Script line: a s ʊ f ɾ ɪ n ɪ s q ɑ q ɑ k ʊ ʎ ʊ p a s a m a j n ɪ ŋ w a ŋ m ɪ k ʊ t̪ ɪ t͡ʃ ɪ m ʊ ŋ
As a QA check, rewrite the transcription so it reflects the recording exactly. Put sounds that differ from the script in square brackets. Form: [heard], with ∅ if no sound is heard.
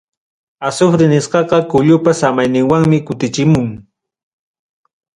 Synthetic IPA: a s ʊ f ɾ ɪ n ɪ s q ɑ q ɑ k ʊ ʎ ʊ p a s a m a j n ɪ ŋ w a ŋ m ɪ k ʊ t̪ ɪ t͡ʃ ɪ m ʊ ŋ